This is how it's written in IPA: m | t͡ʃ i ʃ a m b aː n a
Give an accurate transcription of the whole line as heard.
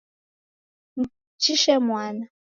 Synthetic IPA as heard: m | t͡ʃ i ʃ ɛ m w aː n a